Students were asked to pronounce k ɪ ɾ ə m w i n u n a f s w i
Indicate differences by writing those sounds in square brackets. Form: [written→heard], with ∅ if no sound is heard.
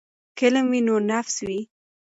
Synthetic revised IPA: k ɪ [ɾ→l] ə m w i n [u→o] n a f s w i